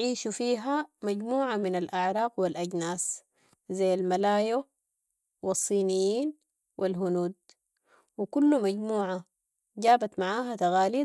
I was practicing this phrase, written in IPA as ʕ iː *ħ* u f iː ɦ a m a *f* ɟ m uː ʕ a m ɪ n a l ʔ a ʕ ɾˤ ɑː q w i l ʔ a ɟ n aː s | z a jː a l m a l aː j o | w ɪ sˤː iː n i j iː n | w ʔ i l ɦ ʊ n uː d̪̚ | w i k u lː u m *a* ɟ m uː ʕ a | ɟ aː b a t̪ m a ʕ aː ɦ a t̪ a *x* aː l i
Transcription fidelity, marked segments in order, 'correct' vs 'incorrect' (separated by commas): incorrect, incorrect, correct, incorrect